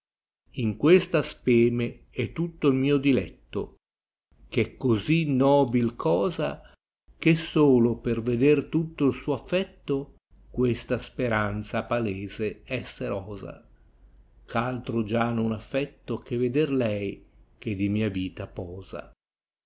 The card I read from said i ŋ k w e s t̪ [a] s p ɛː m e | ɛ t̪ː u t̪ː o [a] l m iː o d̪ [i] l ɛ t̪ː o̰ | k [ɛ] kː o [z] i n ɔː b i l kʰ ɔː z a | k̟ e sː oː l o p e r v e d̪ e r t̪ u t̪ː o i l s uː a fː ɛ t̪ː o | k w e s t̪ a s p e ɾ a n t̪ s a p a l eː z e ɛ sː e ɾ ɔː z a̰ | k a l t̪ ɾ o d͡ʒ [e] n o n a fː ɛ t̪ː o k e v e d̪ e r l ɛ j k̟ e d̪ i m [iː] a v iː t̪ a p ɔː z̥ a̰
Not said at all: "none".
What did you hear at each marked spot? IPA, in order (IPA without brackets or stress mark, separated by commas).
a, i, i, ɛ, z, a, iː